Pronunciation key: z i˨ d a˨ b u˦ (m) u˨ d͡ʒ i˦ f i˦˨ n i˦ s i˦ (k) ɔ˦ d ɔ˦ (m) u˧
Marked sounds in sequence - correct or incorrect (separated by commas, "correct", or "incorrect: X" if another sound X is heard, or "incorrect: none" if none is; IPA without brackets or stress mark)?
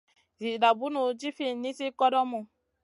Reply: incorrect: n, correct, correct